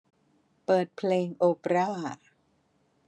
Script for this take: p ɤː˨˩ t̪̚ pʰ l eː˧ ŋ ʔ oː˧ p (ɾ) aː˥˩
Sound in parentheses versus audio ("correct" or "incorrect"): correct